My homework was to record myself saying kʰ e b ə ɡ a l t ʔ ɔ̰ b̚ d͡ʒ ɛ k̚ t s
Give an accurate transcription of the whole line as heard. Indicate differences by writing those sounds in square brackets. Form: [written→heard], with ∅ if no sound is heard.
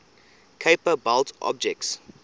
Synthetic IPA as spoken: kʰ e [b→p] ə [ɡ→b] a l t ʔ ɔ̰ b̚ d͡ʒ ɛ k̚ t s